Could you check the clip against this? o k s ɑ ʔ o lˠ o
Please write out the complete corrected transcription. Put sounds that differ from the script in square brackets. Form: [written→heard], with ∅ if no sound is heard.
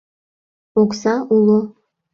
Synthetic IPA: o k s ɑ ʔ [o→u] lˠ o